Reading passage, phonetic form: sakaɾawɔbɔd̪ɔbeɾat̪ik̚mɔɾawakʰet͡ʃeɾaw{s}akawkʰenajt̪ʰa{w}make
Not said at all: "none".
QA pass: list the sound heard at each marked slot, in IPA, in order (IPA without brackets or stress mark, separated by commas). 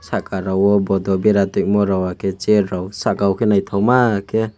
s, w